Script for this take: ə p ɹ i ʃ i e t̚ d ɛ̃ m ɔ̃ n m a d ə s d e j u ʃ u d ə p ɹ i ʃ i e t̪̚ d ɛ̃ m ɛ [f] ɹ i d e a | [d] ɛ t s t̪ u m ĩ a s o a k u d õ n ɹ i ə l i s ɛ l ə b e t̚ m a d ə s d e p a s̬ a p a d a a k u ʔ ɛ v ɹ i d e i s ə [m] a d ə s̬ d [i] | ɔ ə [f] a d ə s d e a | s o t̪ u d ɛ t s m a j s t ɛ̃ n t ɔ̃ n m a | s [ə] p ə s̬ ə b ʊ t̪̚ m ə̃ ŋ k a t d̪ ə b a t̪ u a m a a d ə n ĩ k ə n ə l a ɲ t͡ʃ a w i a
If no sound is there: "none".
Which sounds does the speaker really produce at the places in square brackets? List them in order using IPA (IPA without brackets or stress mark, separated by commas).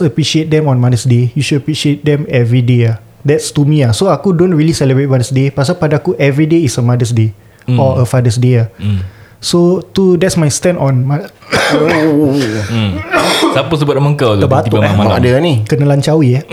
v, d, m, e, f, a